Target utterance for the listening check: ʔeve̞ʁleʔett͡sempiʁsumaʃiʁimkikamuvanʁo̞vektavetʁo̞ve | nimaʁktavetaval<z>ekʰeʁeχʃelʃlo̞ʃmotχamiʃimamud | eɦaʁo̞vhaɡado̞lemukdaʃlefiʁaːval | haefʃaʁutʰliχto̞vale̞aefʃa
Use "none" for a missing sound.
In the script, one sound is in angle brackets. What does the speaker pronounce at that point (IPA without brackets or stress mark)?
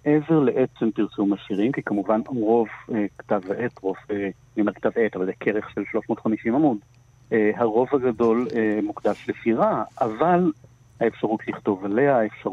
z